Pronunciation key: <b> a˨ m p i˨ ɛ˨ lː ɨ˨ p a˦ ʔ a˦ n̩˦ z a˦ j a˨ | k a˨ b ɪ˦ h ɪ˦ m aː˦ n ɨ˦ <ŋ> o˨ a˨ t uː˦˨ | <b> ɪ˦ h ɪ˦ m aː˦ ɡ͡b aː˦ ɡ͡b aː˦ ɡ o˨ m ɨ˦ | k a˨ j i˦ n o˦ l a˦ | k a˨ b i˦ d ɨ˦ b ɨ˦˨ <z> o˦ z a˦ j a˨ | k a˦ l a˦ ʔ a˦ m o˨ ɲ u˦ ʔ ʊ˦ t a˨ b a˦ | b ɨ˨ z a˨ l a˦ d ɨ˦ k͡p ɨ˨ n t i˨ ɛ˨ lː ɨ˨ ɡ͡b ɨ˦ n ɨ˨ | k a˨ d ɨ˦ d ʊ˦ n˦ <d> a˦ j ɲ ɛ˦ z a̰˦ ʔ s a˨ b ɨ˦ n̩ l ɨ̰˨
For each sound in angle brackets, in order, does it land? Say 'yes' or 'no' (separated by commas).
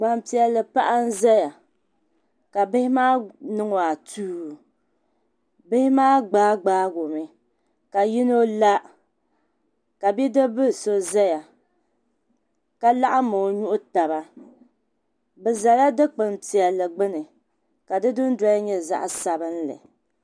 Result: no, yes, yes, no, yes